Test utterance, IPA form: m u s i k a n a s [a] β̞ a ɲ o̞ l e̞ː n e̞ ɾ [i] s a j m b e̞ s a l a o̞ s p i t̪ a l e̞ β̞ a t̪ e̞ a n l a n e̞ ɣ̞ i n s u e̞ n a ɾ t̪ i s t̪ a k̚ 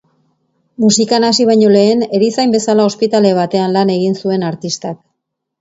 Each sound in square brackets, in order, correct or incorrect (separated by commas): incorrect, correct